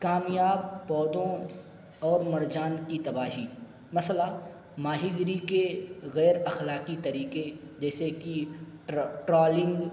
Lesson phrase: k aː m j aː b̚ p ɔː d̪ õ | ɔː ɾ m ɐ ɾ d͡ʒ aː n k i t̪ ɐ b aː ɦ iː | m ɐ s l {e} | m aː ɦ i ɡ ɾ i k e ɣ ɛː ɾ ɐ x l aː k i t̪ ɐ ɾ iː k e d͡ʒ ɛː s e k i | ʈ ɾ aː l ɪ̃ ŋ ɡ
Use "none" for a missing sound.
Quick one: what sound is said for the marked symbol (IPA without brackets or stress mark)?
a